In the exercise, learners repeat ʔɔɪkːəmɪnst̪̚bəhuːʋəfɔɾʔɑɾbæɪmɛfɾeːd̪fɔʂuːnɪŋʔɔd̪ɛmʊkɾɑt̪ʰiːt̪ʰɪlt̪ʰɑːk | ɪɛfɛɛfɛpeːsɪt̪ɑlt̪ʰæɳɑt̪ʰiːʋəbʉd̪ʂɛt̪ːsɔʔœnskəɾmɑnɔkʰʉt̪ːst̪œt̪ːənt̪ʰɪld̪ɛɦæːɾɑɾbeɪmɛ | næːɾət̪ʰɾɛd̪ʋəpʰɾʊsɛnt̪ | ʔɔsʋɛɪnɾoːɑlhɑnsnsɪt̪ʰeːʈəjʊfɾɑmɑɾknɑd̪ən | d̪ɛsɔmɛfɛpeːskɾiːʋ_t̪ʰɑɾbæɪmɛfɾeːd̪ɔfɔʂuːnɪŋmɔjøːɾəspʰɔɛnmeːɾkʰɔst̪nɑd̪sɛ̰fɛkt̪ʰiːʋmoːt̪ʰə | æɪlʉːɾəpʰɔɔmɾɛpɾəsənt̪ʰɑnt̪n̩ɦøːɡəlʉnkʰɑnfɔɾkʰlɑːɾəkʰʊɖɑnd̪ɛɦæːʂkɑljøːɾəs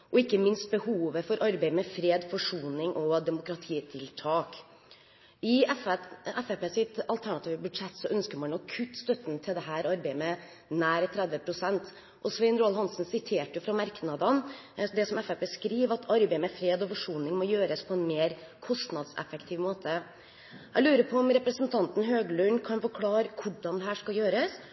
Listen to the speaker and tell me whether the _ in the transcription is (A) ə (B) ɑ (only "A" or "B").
B